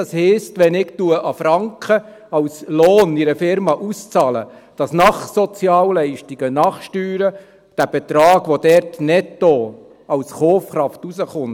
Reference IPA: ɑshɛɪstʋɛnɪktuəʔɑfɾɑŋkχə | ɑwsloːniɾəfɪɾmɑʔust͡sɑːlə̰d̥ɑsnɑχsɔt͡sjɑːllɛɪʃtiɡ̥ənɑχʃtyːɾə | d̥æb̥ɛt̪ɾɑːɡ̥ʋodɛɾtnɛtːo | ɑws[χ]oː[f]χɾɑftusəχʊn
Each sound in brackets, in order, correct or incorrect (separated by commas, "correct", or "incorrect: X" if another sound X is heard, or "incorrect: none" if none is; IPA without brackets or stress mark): correct, correct